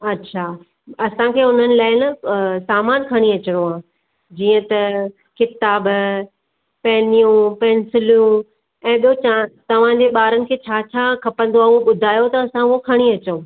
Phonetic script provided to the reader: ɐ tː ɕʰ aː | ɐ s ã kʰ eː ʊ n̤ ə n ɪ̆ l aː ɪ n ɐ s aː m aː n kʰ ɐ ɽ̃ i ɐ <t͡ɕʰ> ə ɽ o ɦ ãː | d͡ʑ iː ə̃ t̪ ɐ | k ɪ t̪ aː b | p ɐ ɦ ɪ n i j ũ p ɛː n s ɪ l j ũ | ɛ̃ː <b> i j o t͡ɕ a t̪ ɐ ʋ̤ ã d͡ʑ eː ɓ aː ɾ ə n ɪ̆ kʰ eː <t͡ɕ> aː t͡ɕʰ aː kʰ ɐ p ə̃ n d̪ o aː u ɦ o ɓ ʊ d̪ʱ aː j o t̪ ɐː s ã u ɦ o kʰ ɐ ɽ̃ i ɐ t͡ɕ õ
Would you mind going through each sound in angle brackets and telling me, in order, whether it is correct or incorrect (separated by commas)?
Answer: incorrect, incorrect, incorrect